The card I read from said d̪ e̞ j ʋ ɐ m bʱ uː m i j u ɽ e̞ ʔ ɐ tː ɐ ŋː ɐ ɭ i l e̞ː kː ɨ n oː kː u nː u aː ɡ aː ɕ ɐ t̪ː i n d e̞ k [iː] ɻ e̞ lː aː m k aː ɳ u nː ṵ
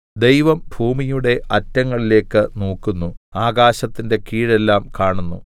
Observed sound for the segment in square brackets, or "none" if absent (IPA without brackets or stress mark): iː